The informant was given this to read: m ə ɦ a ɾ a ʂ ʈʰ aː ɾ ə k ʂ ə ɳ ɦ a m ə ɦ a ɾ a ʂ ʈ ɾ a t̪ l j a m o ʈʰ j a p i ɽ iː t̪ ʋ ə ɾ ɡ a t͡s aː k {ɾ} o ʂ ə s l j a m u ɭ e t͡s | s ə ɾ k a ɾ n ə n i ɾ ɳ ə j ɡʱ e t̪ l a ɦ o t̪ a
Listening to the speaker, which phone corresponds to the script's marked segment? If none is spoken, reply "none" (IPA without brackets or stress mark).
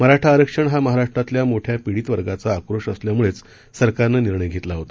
ɾ